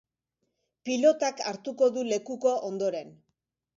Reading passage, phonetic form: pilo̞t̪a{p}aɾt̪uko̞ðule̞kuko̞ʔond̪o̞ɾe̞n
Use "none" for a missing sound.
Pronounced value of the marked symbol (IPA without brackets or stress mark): k